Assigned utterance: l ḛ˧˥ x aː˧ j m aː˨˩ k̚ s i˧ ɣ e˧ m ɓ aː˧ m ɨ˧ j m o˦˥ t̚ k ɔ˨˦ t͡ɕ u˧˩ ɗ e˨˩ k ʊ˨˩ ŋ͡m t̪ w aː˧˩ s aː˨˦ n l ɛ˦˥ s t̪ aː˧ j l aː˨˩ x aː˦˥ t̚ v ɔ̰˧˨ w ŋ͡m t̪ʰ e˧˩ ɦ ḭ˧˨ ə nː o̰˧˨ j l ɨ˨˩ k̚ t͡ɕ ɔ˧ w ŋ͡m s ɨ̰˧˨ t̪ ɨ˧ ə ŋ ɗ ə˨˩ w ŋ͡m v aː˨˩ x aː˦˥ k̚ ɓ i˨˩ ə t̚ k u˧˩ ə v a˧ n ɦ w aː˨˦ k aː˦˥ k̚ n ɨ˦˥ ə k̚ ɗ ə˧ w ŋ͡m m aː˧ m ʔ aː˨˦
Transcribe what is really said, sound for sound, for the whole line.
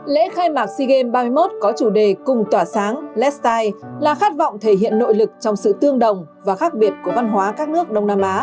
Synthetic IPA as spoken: l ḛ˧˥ x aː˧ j m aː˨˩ k̚ s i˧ ɣ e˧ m ɓ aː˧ m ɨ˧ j m o˦˥ t̚ k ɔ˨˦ t͡ɕ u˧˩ ɗ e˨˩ k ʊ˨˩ ŋ͡m t̪ w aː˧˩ s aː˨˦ ŋ l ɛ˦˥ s t̪ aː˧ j l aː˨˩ x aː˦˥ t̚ v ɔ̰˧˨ w ŋ͡m t̪ʰ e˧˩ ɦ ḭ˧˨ ə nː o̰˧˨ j l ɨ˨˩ k̚ t͡ɕ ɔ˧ w ŋ͡m s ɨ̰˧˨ t̪ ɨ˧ ə ŋ ɗ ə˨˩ w ŋ͡m v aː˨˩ x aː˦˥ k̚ ɓ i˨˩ ə t̚ k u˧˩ ə v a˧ n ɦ w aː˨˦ k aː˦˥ k̚ n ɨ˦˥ ə k̚ ɗ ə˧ w ŋ͡m n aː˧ m ʔ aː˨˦